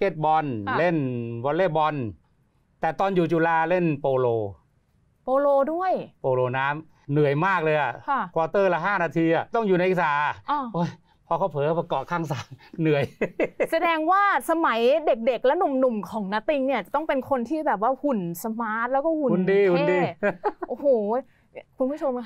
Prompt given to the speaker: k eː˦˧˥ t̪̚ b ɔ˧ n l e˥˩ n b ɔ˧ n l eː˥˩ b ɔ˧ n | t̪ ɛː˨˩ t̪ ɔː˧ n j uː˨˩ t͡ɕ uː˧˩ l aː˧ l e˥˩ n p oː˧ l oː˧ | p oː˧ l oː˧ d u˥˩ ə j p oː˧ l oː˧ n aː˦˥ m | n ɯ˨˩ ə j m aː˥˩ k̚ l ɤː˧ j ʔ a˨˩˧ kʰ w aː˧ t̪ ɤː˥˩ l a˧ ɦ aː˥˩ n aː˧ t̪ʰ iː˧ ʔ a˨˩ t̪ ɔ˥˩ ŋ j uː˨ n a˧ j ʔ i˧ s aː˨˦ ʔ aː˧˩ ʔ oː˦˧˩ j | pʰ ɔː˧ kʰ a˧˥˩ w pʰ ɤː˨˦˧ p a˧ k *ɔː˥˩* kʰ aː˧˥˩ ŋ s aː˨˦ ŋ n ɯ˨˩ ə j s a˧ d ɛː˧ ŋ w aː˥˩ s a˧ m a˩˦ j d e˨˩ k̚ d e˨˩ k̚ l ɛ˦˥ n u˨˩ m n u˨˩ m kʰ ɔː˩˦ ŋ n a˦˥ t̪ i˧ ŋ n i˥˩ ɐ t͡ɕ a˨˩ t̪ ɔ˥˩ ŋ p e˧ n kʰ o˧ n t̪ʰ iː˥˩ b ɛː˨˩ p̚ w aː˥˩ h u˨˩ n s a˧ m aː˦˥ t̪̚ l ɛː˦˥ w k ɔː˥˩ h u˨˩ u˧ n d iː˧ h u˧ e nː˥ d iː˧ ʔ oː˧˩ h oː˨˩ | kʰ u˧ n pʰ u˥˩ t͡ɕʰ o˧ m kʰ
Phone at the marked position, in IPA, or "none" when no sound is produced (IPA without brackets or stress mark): ɔː˨˩